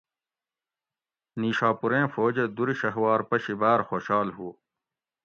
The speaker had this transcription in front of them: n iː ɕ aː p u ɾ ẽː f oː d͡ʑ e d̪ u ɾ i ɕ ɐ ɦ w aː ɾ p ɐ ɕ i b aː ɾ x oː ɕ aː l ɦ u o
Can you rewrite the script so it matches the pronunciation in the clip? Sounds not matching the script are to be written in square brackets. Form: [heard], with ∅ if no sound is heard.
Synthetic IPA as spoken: n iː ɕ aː p u ɾ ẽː f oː d͡ʑ e d̪ u ɾ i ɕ ɐ ɦ w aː ɾ p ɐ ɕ i b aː ɾ x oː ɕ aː l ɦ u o